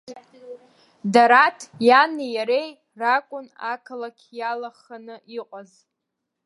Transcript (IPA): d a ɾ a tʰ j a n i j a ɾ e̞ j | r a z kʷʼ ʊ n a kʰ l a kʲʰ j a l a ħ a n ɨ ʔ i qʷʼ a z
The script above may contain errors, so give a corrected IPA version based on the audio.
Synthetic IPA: d a ɾ a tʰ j a n i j a ɾ e̞ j | r a kʷʼ ʊ n a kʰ l a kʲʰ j a l a χ a n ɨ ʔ i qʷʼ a z